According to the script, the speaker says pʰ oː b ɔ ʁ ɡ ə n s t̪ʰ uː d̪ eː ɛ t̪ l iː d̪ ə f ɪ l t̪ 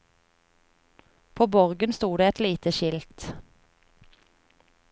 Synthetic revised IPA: pʰ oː b ɔ ʁ ɡ ə n s t̪ uː d̪ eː ɛ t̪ l iː t̪ ə ʃ ɪ l t̪